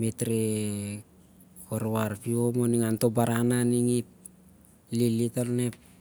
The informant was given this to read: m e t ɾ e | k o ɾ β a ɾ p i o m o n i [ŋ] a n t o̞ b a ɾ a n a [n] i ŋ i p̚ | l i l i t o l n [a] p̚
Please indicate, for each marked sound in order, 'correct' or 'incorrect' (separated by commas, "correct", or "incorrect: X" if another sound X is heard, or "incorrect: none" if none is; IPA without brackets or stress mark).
correct, correct, incorrect: e